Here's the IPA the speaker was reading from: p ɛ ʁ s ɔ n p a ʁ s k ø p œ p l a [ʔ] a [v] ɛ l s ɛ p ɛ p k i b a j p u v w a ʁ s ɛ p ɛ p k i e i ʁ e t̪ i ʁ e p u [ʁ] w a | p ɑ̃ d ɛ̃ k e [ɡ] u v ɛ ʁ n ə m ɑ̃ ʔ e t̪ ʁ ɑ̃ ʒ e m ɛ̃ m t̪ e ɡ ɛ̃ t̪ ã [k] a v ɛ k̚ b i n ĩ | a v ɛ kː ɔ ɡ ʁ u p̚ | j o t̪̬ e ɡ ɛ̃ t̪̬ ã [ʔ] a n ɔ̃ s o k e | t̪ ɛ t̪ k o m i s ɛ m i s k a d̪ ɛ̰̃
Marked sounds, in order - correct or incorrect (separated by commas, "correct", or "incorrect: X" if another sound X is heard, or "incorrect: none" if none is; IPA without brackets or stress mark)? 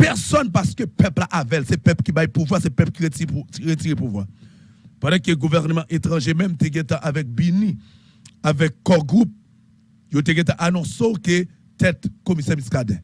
correct, correct, incorrect: v, correct, incorrect: ʔ, correct